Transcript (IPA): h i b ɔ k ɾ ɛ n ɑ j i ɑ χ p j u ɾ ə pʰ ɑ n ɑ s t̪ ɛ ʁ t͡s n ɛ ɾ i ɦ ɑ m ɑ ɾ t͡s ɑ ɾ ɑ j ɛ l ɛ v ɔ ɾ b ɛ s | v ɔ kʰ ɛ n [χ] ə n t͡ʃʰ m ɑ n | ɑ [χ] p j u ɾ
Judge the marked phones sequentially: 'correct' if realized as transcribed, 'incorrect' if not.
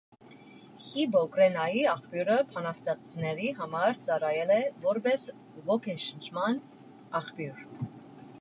incorrect, correct

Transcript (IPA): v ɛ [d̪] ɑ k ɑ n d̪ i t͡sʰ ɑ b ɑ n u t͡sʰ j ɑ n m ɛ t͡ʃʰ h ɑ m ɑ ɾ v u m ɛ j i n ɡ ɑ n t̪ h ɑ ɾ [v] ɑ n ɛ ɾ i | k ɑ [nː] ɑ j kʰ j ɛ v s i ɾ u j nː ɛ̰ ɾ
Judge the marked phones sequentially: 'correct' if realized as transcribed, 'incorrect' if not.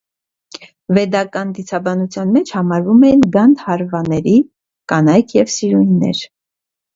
correct, correct, incorrect

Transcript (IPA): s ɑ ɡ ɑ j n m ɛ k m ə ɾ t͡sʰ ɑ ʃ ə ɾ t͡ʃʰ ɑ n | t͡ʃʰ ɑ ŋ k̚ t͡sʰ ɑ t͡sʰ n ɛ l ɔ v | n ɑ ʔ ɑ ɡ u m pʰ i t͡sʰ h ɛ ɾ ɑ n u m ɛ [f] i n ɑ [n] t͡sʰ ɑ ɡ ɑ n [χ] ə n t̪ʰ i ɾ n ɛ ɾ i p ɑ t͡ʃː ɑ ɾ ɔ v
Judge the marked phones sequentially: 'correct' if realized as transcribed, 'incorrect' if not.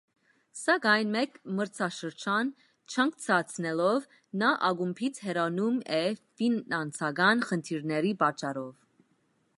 correct, correct, correct

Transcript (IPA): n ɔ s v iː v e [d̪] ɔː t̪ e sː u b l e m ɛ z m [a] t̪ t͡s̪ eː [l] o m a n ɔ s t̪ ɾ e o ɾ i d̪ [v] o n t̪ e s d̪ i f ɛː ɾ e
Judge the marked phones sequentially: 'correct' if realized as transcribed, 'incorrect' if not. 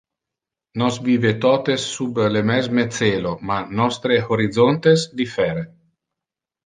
incorrect, incorrect, correct, incorrect

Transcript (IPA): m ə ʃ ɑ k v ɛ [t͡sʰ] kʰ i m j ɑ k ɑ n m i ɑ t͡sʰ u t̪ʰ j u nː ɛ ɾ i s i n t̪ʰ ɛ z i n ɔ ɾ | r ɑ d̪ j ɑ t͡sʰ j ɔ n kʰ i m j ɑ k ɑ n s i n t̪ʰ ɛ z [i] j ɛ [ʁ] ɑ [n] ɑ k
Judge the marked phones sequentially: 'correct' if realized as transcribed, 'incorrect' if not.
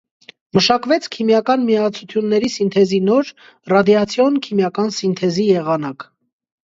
correct, correct, correct, correct

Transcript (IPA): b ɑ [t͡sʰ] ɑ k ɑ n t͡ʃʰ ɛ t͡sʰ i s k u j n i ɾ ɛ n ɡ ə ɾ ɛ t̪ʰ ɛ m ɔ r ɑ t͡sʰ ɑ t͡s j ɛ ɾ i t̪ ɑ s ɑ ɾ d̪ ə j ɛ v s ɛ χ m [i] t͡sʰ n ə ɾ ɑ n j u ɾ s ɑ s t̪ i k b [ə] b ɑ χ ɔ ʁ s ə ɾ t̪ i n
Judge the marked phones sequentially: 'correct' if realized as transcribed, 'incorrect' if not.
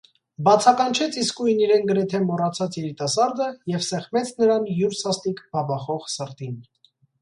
correct, incorrect, incorrect

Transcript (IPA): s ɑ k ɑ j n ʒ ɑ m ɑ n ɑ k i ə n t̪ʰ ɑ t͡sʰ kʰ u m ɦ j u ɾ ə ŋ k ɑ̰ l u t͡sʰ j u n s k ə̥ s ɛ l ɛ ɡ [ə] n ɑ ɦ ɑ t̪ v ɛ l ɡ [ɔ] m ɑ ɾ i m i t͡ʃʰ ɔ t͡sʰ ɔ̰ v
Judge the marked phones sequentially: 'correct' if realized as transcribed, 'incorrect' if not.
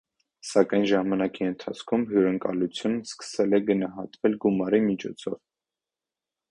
correct, incorrect

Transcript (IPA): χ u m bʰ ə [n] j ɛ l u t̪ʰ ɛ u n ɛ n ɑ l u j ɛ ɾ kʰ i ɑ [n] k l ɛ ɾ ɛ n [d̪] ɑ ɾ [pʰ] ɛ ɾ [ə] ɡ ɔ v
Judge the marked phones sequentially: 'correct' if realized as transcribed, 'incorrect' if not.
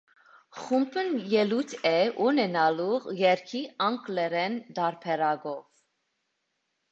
correct, incorrect, correct, correct, incorrect

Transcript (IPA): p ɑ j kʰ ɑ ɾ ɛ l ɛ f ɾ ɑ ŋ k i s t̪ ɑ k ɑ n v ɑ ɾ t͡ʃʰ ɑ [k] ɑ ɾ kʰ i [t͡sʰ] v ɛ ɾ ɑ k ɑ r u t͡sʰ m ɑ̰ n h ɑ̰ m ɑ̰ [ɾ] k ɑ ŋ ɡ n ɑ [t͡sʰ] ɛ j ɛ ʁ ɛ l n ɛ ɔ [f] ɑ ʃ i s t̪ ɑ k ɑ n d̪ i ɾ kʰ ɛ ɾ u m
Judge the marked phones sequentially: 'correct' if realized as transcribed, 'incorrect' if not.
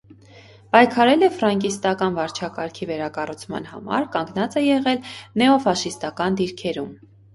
correct, incorrect, correct, incorrect, correct

